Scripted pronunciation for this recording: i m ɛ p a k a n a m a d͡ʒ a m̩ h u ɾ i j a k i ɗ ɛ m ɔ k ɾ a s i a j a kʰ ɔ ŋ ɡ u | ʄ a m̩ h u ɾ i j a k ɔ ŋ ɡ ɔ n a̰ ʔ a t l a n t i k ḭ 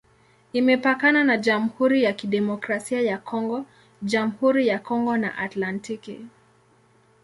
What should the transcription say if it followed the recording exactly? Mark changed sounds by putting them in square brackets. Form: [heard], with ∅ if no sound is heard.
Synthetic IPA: i m ɛ p a k a n a [n] a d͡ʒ a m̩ h u ɾ i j a k i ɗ ɛ m ɔ k ɾ a s i a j a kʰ ɔ ŋ ɡ [ɔ] | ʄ a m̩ h u ɾ i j a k ɔ ŋ ɡ ɔ n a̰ ʔ a t l a n t i k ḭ